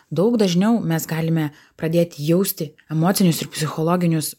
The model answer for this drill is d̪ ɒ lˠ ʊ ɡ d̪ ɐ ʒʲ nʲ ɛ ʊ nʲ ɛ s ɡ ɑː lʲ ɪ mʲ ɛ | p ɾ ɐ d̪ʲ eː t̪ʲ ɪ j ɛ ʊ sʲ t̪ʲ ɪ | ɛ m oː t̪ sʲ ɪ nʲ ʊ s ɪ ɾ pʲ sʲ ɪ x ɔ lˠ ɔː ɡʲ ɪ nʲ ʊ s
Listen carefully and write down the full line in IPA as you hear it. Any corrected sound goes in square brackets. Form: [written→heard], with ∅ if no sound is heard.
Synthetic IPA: d̪ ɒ [lˠ→∅] ʊ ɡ d̪ ɐ ʒʲ nʲ ɛ ʊ [nʲ→mʲ] ɛ s ɡ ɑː lʲ ɪ mʲ ɛ | p ɾ ɐ d̪ʲ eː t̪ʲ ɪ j ɛ ʊ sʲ t̪ʲ ɪ | ɛ m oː t̪ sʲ ɪ nʲ ʊ s ɪ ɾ pʲ sʲ ɪ x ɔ lˠ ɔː ɡʲ ɪ nʲ ʊ s